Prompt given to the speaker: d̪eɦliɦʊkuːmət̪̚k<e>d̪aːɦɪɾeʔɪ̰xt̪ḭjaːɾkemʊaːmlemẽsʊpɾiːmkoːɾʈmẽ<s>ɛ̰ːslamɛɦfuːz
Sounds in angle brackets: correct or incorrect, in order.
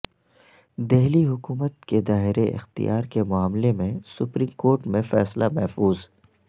correct, incorrect: f

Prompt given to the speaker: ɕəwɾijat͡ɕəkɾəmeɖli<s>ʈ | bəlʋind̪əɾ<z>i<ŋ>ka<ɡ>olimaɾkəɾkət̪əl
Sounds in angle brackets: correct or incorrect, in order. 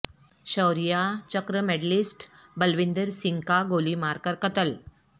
correct, incorrect: s, correct, correct

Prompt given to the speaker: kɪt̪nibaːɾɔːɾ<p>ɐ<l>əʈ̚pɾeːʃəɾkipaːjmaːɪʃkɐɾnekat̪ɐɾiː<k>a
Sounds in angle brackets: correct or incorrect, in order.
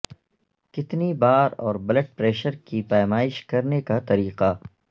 incorrect: b, correct, incorrect: q

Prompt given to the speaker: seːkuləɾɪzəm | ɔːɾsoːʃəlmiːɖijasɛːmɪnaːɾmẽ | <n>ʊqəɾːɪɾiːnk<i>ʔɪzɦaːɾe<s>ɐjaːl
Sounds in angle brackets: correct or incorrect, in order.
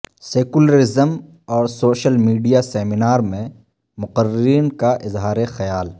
incorrect: m, incorrect: a, incorrect: x

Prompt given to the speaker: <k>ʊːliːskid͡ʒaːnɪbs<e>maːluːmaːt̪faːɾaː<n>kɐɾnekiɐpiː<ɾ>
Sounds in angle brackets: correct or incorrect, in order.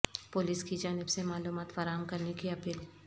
incorrect: p, correct, incorrect: m, incorrect: l

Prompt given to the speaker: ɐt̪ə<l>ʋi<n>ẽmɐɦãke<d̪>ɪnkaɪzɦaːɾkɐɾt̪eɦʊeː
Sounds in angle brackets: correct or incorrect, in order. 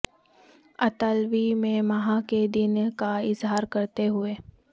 correct, incorrect: m, correct

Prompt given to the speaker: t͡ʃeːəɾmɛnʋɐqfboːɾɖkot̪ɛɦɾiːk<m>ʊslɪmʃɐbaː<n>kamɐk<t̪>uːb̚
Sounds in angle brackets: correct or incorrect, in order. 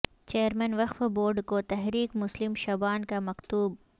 correct, correct, correct

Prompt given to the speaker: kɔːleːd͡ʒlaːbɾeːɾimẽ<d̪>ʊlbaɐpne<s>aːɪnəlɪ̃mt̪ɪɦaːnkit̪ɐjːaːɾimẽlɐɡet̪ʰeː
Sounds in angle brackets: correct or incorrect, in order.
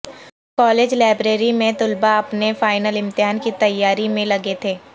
incorrect: t̪, incorrect: f

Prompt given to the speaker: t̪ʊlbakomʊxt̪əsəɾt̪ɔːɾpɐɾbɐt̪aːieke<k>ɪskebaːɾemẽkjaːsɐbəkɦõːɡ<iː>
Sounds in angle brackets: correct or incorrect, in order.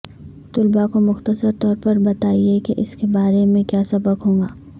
incorrect: ʔ, incorrect: aː

